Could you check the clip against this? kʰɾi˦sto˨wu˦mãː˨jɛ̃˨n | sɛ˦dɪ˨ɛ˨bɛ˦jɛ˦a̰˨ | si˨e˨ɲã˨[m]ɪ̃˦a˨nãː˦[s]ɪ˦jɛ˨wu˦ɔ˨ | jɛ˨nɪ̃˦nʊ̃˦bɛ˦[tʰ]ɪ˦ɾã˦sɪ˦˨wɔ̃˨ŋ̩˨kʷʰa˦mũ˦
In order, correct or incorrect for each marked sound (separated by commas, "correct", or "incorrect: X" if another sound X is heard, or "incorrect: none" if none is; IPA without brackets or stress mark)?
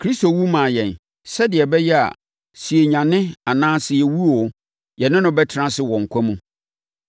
incorrect: n, correct, correct